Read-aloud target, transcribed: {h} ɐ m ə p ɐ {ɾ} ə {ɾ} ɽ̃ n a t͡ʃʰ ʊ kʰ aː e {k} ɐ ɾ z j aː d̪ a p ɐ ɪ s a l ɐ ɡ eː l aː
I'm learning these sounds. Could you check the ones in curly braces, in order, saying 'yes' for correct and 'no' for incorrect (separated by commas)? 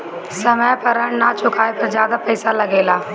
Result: no, yes, no, no